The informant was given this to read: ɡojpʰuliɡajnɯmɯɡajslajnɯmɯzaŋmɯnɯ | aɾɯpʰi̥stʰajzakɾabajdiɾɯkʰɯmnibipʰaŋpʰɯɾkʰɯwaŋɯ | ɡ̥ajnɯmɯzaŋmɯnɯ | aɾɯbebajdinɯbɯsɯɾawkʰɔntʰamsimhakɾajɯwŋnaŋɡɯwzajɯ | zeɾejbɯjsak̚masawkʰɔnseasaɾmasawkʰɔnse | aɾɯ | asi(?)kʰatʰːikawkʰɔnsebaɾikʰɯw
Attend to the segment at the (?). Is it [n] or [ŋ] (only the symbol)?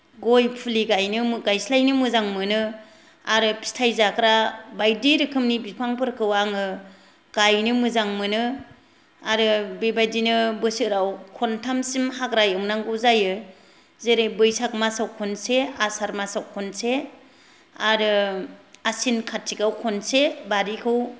n